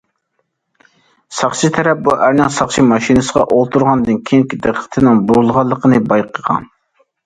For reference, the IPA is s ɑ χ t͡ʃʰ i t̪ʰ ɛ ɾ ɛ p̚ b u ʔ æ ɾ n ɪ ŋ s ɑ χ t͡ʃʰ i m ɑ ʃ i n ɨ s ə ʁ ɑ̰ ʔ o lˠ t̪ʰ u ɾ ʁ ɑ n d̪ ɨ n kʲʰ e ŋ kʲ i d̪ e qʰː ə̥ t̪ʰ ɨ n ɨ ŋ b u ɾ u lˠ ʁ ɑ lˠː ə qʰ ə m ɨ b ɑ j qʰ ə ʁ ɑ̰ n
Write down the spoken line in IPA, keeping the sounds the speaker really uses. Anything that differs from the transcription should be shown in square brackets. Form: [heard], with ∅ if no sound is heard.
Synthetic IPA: s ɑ χ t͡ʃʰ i t̪ʰ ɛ ɾ ɛ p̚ b u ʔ æ ɾ n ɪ ŋ s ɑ χ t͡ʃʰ i m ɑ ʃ i n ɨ s ə ʁ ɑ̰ ʔ o lˠ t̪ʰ u ɾ ʁ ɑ n d̪ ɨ n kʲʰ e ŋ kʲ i d̪ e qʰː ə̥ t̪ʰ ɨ n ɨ ŋ b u ɾ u lˠ ʁ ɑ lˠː ə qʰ ə [n] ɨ b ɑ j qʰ ə ʁ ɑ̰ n